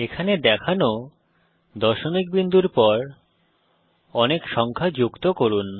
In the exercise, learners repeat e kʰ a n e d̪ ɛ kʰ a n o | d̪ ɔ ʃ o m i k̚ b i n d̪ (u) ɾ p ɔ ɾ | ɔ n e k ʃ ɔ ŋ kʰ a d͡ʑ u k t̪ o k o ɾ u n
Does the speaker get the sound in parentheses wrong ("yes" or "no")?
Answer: no